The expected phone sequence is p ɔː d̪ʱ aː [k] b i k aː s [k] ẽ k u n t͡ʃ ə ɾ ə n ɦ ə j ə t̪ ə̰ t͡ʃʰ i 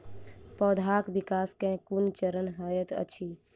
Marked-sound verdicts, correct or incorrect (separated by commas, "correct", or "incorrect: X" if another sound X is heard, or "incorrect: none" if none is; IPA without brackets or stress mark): correct, correct